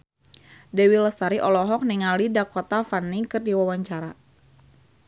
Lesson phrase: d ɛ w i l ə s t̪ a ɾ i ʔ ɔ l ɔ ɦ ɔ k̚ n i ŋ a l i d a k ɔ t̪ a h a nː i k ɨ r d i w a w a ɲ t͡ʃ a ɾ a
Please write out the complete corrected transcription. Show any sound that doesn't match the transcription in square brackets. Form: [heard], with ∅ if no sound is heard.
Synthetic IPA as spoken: d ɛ w i l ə s t̪ a ɾ i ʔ ɔ l ɔ ɦ ɔ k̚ n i ŋ a l i d a k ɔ t̪ a [f] a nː i k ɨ r d i w a w a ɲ t͡ʃ a ɾ a